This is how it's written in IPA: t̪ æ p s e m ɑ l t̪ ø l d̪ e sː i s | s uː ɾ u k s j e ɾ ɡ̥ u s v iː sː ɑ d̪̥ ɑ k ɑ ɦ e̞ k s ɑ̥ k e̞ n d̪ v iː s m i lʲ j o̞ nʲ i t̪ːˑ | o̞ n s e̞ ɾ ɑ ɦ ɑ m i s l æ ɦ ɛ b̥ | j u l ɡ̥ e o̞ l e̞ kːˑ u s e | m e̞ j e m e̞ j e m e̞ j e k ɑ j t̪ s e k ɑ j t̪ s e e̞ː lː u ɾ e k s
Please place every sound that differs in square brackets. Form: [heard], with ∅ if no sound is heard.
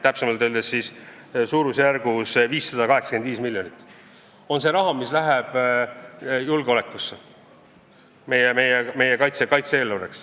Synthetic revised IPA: t̪ æ p s e m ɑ l t̪ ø l d̪ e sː i s | s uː ɾ u [∅] s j [æ] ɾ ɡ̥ u s v iː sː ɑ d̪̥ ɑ k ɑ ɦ e̞ k s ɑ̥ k e̞ n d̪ v iː s m i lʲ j o̞ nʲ i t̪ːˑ | o̞ n s e̞ ɾ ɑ ɦ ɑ m i s l æ ɦ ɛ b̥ | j u l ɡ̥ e o̞ l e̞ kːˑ u s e | m e̞ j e m e̞ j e m e̞ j e k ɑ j t̪ s e k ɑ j t̪ s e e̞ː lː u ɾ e k s

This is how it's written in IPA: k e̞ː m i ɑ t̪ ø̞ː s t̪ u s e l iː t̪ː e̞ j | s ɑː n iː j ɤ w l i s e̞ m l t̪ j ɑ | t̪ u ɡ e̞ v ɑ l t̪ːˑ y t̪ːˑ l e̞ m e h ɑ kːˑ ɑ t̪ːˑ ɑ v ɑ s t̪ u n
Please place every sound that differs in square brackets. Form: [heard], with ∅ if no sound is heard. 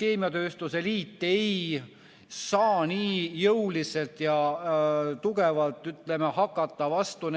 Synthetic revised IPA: k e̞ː m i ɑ t̪ ø̞ː s t̪ u s e l iː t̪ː e̞ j | s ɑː n iː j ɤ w l i s e̞ [∅] l t̪ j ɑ | t̪ u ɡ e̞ v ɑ l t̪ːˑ y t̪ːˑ l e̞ m e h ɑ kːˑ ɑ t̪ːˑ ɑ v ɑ s t̪ u n

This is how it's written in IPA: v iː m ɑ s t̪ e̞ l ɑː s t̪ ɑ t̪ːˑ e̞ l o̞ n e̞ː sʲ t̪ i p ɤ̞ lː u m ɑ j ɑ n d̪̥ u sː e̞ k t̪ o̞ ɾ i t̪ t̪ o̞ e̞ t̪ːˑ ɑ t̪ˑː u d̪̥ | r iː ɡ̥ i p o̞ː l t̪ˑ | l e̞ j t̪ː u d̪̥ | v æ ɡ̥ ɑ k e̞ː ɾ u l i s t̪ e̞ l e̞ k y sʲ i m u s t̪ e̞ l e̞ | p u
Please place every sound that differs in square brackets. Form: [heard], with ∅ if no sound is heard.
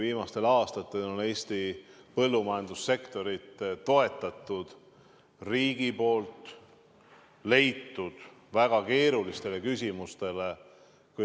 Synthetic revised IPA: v iː m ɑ s t̪ e̞ l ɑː s t̪ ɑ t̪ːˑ e̞ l o̞ n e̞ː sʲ t̪ i p ɤ̞ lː u m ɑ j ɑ n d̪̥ u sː e̞ k t̪ o̞ ɾ i t̪ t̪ o̞ e̞ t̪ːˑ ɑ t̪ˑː u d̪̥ | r iː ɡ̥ i p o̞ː l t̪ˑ | l e̞ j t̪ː u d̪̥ | v æ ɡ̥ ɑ k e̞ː ɾ u l i s t̪ e̞ l e̞ k y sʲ i m u s t̪ e̞ l e̞ | [k] u

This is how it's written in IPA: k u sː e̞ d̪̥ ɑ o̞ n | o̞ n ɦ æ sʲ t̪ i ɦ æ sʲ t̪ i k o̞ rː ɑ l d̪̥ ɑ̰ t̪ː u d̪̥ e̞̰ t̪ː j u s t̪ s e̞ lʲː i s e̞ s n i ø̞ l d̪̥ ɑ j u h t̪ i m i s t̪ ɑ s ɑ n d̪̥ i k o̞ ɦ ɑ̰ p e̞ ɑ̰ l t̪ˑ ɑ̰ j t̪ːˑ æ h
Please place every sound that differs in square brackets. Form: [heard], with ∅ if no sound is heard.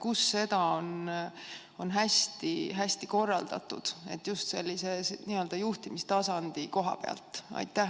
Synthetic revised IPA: k u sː e̞ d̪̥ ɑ o̞ n | o̞ n ɦ æ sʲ t̪ i ɦ æ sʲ t̪ i k o̞ rː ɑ l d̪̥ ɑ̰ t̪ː u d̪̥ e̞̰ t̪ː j u s t̪ s e̞ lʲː i s e̞ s n i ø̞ l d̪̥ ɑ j u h t̪ i m i s t̪ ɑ s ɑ n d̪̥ i k o̞ ɦ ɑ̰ p e̞ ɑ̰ l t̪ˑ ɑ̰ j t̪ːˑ æ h

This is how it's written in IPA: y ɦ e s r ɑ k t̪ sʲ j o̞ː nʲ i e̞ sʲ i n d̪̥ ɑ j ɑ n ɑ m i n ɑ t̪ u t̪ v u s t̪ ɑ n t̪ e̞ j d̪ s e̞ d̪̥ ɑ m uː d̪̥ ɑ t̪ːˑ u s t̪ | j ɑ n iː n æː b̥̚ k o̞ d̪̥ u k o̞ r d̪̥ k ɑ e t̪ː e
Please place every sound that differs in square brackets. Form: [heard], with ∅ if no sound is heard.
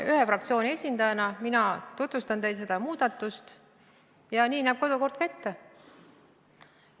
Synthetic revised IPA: y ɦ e [f] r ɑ k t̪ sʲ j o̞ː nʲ i e̞ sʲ i n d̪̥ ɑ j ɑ n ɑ m i n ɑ t̪ u t̪ v u s t̪ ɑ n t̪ e̞ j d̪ s e̞ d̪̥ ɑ m uː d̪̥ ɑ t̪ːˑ u s t̪ | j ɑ n iː n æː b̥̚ k o̞ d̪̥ u k o̞ r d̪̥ k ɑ e t̪ː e

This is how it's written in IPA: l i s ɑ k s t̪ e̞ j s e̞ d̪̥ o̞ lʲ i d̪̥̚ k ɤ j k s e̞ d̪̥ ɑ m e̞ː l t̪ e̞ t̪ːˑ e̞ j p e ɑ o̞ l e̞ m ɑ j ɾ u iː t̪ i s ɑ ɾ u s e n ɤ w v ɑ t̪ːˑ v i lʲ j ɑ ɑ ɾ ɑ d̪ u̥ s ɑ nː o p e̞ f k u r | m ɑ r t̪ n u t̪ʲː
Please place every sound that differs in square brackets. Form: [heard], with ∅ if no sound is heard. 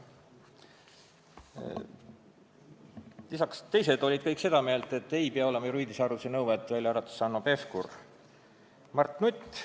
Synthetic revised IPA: l i s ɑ k s t̪ e̞ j s e̞ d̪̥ o̞ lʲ i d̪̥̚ k ɤ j k s e̞ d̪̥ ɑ m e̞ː l t̪ e̞ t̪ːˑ e̞ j p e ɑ o̞ l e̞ m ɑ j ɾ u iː [d̪] i s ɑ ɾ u s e n ɤ w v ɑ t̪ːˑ v [æ] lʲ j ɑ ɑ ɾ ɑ [t̪] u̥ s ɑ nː o p e̞ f k u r | m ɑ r t̪ n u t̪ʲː

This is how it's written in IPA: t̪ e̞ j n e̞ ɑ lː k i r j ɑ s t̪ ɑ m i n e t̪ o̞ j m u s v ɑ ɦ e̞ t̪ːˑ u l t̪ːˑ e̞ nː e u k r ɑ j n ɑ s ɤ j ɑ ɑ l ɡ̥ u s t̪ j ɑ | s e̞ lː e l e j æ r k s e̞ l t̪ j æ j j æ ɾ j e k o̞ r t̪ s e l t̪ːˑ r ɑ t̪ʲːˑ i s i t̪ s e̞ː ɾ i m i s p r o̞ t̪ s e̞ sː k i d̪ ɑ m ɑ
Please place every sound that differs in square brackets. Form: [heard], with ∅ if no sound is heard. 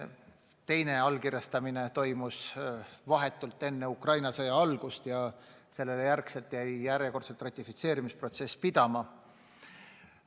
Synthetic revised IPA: t̪ e̞ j n e̞ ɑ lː k i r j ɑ s t̪ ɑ m i n e t̪ o̞ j m u s v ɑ ɦ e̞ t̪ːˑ u l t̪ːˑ e̞ nː e u k r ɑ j n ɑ s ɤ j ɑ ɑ l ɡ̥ u s t̪ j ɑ | s e̞ lː e l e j æ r k s e̞ l t̪ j æ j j æ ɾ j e k o̞ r t̪ s e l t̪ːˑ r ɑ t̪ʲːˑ i [f] i t̪ s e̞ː ɾ i m i s p r o̞ t̪ s e̞ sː [p] i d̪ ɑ m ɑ

